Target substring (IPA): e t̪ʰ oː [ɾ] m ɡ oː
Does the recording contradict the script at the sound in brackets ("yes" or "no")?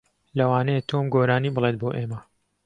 yes